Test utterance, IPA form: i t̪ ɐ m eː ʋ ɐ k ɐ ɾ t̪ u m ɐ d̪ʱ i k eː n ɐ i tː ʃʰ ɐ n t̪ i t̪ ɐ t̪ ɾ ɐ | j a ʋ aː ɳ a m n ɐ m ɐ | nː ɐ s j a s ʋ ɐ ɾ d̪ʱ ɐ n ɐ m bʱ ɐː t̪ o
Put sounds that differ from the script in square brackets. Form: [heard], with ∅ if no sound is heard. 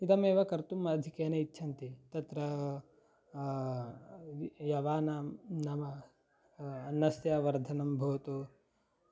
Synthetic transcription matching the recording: i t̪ ɐ m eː ʋ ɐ k ɐ ɾ t̪ u m ɐ d̪ʱ i k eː n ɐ i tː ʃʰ ɐ n t̪ i t̪ ɐ t̪ ɾ ɐ | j [ɐ] ʋ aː [n] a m n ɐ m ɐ | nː ɐ s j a [∅] ʋ ɐ ɾ d̪ʱ ɐ n ɐ m bʱ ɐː t̪ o